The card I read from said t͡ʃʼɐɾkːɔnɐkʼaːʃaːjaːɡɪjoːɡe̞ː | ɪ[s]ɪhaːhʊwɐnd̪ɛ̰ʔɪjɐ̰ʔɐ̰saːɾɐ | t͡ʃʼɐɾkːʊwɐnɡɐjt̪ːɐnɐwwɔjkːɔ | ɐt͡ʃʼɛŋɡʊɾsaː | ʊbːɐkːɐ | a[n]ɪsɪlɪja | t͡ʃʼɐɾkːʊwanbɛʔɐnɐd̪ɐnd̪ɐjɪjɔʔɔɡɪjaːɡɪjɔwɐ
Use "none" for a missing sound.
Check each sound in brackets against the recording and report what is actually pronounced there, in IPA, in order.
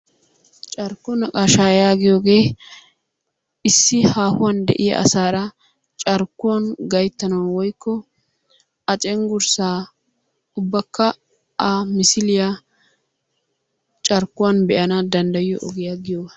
sː, m

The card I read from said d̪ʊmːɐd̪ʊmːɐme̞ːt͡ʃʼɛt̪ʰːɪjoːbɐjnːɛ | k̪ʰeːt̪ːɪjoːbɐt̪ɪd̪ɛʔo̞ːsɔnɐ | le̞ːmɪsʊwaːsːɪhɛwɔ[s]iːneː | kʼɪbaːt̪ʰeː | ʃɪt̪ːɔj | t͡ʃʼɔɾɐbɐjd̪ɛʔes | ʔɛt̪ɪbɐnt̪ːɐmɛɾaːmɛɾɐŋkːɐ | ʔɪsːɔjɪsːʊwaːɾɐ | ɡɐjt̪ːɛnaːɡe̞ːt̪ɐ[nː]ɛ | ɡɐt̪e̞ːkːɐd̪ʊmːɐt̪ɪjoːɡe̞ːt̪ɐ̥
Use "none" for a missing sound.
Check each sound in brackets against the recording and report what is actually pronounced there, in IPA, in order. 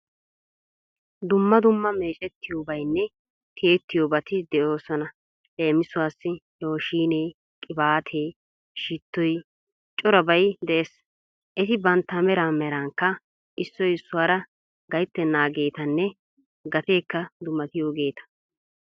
ʃ, nː

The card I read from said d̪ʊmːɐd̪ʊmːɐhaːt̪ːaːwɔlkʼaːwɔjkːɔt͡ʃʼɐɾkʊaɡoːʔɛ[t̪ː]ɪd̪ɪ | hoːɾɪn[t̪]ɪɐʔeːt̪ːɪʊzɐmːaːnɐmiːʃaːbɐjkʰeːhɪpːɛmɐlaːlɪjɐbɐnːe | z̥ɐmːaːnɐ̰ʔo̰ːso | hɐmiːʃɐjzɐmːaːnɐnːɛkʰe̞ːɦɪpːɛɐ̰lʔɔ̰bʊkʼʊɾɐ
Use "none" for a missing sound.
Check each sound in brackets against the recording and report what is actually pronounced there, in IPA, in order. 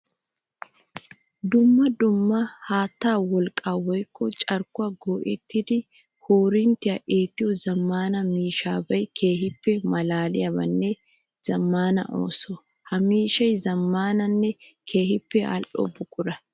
t̪ː, t̪

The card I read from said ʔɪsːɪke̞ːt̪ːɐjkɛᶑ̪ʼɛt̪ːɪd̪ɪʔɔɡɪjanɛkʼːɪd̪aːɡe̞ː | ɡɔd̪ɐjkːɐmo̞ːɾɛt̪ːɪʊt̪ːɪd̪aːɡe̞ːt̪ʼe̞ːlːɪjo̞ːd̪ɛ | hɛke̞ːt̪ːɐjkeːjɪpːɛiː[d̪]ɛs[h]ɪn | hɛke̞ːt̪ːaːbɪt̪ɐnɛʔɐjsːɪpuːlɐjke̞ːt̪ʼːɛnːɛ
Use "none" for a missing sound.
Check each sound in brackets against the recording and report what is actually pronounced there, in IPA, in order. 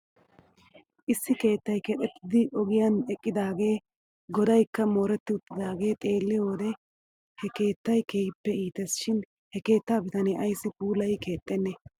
t̪, ʃ

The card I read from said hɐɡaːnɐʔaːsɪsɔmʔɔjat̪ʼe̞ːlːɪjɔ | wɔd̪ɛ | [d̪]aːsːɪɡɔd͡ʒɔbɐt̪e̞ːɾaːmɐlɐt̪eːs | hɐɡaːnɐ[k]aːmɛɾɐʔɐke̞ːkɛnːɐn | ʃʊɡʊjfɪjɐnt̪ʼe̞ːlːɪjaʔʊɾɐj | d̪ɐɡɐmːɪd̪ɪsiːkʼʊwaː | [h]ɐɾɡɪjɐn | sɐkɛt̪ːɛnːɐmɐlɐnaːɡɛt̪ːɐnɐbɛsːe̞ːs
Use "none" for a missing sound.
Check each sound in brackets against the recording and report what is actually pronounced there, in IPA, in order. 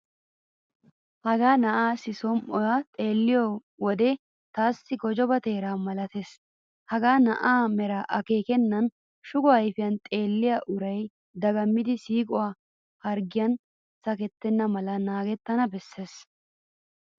t̪, ʔ, h

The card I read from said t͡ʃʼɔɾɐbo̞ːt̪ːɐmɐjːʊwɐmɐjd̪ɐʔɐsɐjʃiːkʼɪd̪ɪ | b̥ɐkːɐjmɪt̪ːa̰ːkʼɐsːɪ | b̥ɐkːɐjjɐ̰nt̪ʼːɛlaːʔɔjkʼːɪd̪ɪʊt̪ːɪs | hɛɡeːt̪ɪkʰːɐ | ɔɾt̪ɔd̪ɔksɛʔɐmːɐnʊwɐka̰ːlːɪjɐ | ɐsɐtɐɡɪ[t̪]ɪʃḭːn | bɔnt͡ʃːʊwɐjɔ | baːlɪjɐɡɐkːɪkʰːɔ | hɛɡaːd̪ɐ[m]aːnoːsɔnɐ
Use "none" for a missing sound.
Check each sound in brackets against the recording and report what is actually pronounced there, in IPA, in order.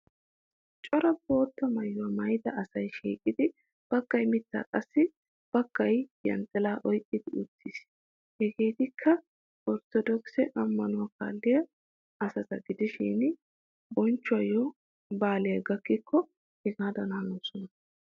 d̪, n

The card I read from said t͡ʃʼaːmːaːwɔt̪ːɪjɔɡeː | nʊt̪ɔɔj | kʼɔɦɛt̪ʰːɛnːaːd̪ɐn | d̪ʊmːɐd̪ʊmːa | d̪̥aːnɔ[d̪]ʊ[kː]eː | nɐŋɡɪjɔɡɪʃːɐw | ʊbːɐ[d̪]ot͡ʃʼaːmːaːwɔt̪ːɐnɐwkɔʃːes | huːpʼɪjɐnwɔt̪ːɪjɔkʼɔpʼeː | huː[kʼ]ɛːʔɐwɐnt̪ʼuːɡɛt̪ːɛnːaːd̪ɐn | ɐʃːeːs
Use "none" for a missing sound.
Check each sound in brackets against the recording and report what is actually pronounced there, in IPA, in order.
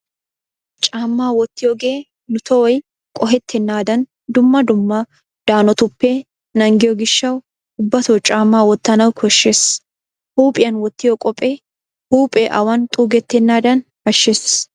t̪, pː, t̪, pʼ

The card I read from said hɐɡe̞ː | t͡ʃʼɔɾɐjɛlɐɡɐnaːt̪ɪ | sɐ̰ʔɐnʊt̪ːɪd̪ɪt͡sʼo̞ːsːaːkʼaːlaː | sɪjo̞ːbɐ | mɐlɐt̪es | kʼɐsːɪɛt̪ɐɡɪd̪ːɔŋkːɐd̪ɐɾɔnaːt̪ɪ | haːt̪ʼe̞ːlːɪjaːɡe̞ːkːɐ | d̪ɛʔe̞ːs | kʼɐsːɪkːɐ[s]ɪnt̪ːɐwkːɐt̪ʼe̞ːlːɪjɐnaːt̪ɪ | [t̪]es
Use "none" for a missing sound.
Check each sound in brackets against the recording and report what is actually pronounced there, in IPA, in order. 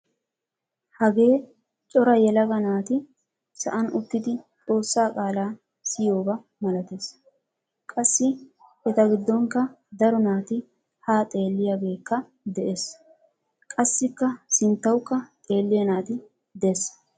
s, d̪

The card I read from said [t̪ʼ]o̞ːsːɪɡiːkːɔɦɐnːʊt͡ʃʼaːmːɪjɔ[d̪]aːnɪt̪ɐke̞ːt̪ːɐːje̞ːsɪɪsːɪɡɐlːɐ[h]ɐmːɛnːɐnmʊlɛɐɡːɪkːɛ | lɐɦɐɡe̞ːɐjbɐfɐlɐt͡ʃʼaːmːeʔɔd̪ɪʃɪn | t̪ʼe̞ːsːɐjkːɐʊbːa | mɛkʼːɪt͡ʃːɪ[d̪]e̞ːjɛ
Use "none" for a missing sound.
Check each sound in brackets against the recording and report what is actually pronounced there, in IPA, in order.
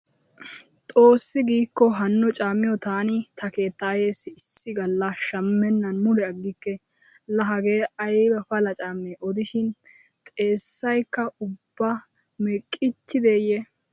t̪ʼ, t̪, ʃ, d̪

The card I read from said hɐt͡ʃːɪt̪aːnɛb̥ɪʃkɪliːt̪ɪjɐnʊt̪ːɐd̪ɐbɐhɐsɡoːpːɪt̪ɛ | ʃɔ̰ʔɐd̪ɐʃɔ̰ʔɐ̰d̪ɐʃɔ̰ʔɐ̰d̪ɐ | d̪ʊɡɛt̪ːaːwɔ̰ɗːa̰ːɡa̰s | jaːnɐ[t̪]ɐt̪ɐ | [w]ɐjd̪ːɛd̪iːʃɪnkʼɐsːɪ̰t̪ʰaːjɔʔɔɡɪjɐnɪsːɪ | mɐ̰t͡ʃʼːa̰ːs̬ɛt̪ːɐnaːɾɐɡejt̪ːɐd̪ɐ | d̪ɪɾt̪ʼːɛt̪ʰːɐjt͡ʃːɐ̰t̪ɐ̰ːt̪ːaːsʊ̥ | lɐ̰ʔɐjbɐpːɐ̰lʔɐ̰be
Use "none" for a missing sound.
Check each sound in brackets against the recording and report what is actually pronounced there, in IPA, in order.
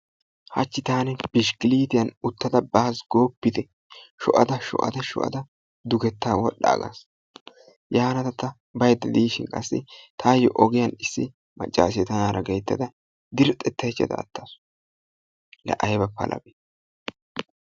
t̪, b

